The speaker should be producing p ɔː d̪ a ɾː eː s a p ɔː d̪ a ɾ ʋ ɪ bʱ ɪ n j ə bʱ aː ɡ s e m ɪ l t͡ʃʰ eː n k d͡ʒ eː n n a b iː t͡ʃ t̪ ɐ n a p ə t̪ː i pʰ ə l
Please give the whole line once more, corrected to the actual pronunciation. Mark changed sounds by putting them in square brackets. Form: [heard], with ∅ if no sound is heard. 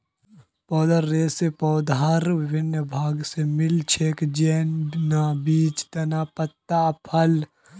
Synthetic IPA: p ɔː d̪ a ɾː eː s [e] p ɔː d̪ a ɾ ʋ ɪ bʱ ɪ n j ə bʱ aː ɡ s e m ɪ l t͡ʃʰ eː [∅] k d͡ʒ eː n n a b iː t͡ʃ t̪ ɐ n a p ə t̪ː [a] pʰ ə l